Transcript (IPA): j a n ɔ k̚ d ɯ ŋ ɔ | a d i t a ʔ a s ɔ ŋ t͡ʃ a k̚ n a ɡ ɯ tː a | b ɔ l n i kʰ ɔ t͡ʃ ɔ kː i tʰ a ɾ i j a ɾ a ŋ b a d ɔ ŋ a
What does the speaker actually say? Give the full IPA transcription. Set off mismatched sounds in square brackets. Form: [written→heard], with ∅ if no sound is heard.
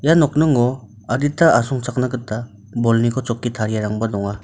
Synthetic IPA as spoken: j a n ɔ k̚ [d→n] ɯ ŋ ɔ | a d i t a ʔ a s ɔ ŋ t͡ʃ a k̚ n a ɡ ɯ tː a | b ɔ l n i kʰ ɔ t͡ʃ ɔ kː i tʰ a ɾ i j a ɾ a ŋ b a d ɔ ŋ a

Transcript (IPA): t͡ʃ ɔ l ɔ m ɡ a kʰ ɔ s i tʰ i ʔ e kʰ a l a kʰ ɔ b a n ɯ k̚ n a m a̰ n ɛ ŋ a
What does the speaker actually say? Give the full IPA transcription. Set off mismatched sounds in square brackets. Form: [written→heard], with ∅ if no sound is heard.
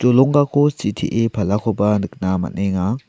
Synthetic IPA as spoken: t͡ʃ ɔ l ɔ [m→ŋ] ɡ a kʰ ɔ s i tʰ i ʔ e [kʰ→pʰ] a l a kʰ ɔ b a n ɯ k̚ n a m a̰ n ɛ ŋ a

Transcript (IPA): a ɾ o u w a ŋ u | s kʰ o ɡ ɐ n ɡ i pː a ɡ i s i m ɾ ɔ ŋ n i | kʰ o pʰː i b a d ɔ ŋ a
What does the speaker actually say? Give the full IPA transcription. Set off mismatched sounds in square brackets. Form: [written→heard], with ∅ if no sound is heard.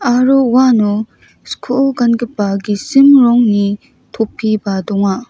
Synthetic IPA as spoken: a ɾ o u w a [ŋ→n] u | s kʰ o ɡ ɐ n ɡ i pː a ɡ i s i m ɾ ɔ ŋ n i | [kʰ→tʰ] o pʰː i b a d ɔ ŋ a

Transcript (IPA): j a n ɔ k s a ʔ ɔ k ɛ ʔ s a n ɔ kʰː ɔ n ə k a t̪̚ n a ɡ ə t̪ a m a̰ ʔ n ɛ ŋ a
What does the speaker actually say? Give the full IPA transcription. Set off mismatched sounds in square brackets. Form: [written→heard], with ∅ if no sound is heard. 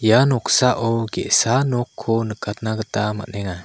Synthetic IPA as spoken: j a n ɔ k s a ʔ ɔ [k→ɡ] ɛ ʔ s a n ɔ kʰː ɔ n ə k a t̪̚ n a ɡ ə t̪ a m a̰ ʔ n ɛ ŋ a

